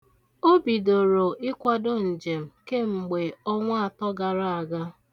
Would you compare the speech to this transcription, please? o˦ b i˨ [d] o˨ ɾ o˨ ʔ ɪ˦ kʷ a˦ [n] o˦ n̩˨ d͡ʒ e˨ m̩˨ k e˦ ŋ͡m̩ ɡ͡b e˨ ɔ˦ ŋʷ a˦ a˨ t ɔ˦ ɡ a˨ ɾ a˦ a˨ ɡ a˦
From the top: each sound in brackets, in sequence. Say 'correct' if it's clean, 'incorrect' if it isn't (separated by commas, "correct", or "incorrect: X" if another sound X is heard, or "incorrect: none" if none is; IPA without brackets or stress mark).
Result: correct, incorrect: d